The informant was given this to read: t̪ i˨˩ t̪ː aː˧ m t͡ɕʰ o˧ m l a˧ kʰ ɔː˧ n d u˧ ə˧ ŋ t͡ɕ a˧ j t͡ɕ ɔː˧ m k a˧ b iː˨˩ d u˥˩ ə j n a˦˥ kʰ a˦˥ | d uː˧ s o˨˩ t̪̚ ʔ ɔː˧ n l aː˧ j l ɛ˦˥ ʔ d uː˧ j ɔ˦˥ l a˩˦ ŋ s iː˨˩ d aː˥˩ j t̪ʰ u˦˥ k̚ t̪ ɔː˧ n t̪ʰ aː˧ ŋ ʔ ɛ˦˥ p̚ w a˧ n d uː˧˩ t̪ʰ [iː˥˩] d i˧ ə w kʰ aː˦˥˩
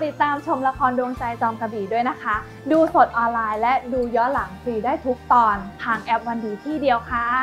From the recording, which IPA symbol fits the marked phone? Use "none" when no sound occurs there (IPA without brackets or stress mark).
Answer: iː˥˩